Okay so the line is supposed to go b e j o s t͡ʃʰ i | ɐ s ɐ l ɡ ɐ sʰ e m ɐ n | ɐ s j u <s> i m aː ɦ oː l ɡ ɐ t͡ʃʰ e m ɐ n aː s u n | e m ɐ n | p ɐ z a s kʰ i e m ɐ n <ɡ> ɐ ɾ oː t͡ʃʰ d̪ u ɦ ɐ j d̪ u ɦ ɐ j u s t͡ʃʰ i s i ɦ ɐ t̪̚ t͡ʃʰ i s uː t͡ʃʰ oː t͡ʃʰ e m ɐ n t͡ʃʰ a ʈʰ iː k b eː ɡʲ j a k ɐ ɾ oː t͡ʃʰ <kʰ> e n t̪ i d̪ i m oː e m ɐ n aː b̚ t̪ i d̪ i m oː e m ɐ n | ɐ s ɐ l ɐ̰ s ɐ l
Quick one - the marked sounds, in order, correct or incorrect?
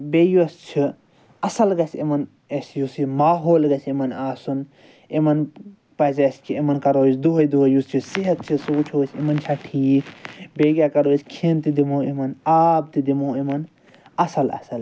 correct, incorrect, correct

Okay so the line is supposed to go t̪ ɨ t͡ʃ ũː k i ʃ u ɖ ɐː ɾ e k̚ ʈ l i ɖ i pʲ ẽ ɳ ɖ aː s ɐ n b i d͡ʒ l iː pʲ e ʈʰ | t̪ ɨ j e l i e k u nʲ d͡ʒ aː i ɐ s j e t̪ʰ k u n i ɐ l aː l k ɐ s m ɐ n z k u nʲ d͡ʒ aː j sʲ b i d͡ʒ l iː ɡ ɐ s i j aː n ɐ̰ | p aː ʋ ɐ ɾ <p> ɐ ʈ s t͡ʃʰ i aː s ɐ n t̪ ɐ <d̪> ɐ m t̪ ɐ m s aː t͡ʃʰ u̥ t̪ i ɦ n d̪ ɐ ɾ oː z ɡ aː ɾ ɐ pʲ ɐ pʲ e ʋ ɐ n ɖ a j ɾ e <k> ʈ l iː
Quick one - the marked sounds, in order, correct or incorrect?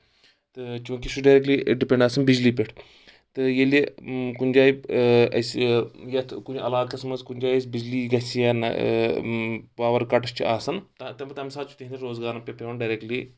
incorrect, incorrect, correct

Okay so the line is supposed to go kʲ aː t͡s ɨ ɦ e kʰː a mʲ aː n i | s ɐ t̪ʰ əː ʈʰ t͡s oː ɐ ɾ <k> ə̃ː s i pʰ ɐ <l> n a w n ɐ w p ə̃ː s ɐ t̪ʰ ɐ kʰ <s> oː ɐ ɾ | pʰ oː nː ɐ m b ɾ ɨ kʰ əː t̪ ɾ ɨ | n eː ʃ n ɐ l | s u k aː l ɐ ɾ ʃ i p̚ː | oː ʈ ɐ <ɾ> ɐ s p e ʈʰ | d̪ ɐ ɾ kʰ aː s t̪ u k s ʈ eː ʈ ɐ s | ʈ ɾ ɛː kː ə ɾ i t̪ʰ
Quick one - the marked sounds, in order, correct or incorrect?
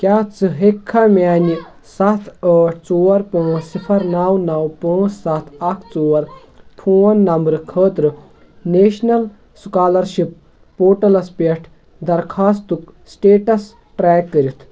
incorrect, incorrect, incorrect, incorrect

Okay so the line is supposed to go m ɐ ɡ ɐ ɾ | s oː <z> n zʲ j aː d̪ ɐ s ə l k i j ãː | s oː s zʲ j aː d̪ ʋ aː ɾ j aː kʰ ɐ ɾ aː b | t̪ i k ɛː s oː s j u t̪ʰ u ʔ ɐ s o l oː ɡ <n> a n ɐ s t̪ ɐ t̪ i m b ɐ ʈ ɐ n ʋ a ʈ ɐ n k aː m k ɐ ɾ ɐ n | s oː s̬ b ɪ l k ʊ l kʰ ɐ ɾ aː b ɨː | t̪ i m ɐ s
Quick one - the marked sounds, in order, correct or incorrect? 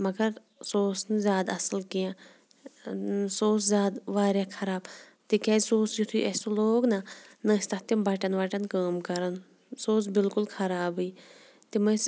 incorrect, correct

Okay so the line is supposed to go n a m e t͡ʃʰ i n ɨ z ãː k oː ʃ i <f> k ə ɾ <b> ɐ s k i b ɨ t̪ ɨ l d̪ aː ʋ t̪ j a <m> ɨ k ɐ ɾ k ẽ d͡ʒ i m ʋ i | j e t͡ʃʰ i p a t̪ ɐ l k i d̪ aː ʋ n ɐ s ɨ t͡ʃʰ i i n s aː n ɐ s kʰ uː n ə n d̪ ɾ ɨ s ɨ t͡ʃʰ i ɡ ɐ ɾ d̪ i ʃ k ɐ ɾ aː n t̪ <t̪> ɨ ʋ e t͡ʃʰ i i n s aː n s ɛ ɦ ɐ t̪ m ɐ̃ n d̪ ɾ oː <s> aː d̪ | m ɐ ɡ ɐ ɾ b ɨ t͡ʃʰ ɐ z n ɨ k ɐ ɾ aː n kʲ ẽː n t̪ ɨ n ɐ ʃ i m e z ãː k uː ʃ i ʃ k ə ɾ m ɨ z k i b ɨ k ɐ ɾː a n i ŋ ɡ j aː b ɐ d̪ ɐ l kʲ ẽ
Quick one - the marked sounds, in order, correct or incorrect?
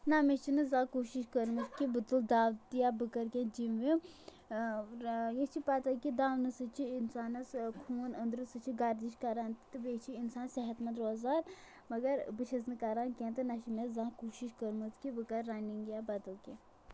incorrect, incorrect, incorrect, correct, incorrect

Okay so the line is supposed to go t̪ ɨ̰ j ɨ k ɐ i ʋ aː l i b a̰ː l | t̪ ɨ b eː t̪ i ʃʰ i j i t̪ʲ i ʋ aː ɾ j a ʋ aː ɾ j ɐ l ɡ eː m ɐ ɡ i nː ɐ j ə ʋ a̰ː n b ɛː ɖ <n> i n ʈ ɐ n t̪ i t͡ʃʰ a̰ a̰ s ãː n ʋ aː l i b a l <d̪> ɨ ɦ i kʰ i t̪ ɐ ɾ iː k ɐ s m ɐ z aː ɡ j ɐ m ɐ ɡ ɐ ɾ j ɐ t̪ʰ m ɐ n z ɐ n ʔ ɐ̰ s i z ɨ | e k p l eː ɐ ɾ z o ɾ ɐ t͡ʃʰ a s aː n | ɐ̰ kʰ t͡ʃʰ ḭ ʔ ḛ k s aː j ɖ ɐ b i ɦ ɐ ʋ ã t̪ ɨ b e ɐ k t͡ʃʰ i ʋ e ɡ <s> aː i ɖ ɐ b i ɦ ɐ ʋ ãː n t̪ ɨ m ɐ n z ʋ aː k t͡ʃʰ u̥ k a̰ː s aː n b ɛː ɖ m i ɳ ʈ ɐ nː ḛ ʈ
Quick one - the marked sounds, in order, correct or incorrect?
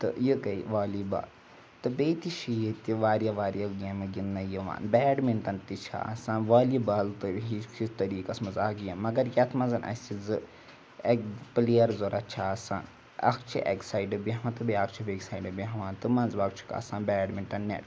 incorrect, incorrect, correct

